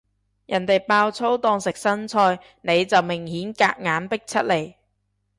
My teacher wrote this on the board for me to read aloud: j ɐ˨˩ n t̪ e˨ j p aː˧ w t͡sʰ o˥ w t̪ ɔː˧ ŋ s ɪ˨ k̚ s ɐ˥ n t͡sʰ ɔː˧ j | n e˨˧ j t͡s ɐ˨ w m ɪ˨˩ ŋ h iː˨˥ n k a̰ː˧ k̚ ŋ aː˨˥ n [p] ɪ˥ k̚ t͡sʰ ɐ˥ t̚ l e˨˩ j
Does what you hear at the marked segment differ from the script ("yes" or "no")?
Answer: no